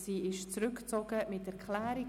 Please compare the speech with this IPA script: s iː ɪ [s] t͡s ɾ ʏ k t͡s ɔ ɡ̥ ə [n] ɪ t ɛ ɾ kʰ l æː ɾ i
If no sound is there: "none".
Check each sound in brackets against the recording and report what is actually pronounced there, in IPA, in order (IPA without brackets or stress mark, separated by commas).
ʃ, m